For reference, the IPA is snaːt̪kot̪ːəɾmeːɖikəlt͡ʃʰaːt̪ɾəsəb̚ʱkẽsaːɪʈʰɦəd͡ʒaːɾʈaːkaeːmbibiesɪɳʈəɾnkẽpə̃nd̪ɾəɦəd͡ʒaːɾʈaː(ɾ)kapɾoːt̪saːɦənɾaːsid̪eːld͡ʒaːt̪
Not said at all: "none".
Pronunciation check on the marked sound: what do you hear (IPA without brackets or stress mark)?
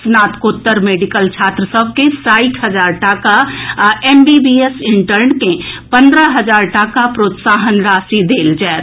none